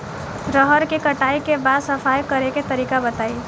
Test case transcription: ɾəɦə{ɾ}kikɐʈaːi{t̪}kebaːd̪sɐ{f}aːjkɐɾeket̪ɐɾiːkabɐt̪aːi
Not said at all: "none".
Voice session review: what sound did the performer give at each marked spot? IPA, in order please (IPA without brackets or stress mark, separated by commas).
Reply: ɾ, none, f